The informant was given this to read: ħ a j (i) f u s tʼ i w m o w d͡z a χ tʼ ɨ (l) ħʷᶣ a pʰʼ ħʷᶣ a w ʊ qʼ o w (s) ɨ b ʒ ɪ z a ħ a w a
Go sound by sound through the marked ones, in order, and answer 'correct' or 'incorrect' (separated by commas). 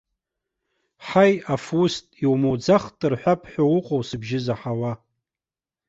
incorrect, incorrect, correct